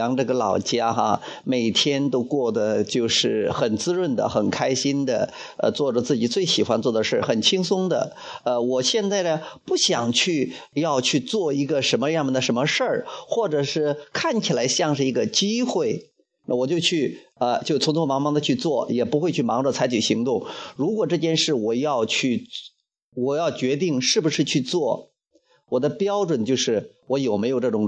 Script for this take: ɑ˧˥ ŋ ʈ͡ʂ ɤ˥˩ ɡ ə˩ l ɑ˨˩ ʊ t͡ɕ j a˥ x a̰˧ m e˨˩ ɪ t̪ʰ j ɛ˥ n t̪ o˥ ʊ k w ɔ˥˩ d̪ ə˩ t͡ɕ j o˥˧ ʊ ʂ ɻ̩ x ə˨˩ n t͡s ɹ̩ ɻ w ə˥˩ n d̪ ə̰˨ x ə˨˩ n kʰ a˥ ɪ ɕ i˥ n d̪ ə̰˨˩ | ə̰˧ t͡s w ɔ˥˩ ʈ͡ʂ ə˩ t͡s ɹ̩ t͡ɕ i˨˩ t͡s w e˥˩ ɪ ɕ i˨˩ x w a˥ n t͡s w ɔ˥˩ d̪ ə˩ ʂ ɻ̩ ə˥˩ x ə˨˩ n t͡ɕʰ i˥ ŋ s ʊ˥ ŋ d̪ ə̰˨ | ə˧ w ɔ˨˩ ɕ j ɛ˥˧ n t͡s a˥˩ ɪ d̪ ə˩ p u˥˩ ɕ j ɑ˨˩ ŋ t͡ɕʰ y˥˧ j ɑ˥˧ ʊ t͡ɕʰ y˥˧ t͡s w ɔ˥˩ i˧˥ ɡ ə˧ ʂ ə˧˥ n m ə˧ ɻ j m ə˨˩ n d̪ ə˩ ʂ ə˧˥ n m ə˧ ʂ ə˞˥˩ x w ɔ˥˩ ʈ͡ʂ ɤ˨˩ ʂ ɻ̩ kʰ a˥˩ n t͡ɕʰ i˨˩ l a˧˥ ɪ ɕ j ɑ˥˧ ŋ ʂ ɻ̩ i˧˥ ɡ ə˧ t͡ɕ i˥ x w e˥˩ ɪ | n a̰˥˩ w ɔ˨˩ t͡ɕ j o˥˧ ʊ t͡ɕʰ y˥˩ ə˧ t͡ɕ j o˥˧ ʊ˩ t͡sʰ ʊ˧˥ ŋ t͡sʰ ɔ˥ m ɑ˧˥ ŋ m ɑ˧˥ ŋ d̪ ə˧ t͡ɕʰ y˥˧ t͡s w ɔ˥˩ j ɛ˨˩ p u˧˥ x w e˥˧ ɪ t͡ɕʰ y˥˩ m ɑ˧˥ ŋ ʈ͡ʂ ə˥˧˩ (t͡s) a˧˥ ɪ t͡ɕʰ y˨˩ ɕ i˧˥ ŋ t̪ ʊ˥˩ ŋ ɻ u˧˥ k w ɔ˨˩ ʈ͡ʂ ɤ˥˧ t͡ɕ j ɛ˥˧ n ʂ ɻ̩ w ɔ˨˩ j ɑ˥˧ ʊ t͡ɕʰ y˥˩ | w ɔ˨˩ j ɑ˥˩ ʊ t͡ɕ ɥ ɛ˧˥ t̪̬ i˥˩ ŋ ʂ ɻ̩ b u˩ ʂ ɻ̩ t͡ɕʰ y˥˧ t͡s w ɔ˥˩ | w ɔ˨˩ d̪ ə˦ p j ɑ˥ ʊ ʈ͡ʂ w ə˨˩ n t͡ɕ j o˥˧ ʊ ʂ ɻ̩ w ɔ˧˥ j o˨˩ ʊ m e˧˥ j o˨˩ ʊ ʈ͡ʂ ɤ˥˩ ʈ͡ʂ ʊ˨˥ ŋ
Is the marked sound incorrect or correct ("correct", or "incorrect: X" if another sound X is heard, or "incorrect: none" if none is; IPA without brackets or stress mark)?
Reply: incorrect: t͡sʰ